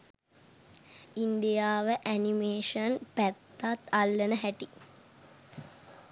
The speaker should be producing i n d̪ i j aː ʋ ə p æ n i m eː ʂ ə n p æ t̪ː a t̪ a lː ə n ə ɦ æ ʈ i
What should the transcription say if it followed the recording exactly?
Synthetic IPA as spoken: i n d̪ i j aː ʋ ə ʔ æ n i m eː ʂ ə n p æ t̪ː a t̪ a lː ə n ə ɦ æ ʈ i